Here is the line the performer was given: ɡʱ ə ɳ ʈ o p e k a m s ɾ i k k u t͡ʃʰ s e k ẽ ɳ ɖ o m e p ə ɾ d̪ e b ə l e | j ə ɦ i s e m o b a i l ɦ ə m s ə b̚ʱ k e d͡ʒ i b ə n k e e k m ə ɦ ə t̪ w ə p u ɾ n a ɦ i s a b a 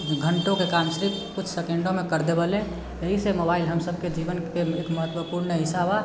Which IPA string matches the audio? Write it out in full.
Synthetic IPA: ɡʱ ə ɳ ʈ o k e k a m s ɾ i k k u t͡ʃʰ s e k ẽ ɳ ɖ o m e k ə ɾ d̪ e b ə l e | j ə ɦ i s e m o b a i l ɦ ə m s ə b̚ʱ k e d͡ʒ i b ə n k e e k m ə ɦ ə t̪ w ə p u ɾ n ə ɦ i s a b a